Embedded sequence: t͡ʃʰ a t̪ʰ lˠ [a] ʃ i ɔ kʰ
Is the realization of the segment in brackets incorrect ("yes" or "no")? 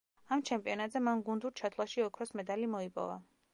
no